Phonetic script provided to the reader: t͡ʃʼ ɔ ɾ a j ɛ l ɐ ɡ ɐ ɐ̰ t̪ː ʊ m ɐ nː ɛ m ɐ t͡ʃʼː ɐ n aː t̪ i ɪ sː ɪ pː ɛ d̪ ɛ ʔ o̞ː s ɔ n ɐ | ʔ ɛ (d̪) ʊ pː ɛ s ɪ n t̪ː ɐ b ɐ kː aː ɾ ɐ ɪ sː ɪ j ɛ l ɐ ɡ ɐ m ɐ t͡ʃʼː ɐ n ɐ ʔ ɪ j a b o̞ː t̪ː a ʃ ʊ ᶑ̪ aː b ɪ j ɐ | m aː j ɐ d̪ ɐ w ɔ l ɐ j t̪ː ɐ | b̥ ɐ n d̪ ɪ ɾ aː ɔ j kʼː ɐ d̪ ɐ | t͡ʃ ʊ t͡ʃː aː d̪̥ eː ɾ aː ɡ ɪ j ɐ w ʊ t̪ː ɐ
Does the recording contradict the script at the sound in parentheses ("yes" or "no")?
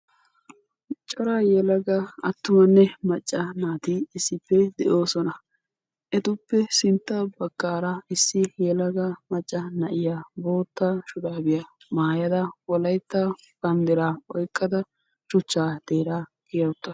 yes